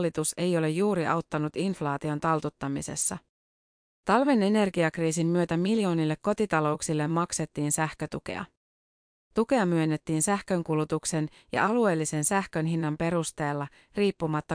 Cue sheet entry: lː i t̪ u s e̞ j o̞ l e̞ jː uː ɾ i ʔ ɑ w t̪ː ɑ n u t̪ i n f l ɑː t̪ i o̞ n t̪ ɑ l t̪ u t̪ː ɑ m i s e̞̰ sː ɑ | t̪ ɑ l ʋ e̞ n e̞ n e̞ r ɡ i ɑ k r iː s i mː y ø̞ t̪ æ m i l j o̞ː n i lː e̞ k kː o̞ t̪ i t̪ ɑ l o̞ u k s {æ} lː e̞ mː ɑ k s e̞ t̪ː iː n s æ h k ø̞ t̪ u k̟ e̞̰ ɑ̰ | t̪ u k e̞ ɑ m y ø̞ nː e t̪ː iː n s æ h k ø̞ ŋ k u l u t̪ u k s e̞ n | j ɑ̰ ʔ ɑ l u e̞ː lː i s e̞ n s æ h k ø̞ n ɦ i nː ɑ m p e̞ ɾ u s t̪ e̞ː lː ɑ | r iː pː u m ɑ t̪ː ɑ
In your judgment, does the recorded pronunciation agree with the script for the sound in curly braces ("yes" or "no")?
no